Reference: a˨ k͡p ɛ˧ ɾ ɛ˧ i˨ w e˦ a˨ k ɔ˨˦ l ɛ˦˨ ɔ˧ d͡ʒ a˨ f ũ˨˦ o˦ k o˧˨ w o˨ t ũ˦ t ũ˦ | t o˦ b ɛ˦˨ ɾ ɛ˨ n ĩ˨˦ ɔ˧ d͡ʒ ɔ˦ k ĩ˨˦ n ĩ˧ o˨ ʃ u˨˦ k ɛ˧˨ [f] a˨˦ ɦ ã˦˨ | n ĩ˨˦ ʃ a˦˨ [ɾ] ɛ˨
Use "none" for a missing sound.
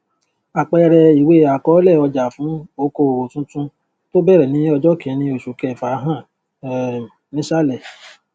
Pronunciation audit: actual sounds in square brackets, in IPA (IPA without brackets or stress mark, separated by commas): f, l